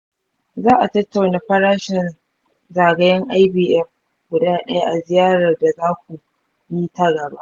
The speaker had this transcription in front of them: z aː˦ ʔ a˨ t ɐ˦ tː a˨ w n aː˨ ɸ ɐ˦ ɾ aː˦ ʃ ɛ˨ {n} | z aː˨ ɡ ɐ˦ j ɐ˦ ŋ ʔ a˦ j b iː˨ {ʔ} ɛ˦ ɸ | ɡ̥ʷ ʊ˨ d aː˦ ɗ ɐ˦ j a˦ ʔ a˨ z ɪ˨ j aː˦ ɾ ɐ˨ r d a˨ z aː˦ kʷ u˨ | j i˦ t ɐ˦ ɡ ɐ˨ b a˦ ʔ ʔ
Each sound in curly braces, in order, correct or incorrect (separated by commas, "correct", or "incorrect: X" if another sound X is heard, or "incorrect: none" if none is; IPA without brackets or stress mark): correct, correct